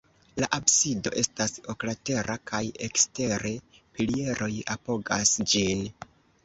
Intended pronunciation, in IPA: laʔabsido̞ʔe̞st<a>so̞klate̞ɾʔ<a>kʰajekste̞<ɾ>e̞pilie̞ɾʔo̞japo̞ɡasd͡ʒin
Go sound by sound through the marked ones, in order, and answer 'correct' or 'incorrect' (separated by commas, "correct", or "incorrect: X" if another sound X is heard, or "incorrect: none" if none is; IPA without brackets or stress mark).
correct, correct, correct